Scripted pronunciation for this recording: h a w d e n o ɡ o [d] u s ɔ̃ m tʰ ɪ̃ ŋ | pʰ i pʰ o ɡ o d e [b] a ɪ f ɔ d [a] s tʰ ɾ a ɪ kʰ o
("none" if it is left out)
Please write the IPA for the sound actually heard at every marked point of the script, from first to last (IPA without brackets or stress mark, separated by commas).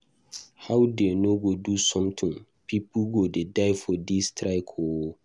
d, d, i